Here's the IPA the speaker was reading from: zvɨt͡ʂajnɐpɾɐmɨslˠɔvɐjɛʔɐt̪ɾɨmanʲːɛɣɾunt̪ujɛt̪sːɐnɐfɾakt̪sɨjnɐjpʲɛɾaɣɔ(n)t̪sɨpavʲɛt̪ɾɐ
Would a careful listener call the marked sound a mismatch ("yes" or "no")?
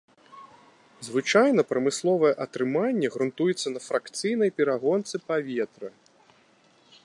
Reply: no